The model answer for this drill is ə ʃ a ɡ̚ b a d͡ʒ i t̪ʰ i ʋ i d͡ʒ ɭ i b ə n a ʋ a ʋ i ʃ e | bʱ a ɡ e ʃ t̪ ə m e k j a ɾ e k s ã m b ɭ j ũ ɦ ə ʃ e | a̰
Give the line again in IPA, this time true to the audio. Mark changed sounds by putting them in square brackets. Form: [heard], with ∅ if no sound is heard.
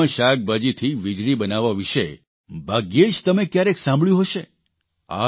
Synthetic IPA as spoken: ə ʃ a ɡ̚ b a d͡ʒ i t̪ʰ i ʋ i d͡ʒ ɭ i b ə n a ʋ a ʋ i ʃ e | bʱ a ɡ e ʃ t̪ ə m e k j a ɾ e k s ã m b ɭ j ũ ɦ ə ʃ e | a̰